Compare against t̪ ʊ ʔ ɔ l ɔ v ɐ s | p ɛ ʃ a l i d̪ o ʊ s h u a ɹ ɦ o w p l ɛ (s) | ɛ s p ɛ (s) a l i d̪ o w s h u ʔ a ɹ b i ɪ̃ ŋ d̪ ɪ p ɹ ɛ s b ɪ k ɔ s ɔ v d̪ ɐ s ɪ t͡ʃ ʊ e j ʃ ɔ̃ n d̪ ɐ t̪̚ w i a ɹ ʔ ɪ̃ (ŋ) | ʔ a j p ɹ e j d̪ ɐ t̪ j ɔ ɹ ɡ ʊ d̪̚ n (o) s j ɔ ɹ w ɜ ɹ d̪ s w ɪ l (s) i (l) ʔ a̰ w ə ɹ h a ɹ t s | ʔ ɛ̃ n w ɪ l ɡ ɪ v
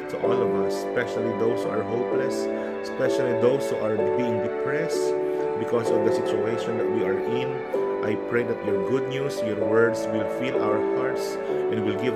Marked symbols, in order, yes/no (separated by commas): yes, no, no, no, no, yes